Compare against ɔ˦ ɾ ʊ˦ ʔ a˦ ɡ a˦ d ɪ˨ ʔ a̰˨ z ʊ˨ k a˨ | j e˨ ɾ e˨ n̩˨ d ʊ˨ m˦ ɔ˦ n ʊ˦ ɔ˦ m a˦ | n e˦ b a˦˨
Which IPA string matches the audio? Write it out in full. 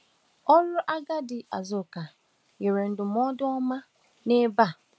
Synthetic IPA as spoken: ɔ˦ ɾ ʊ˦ ʔ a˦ ɡ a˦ d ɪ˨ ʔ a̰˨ z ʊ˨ k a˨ | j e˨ ɾ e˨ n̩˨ d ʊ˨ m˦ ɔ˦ d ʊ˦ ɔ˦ m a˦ | n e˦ b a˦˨